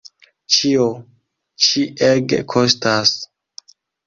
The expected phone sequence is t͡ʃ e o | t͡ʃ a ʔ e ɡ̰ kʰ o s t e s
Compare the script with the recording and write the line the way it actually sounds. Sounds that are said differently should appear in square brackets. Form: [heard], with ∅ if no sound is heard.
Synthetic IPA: t͡ʃ [i] o | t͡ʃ [i] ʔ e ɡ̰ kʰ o s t [a] s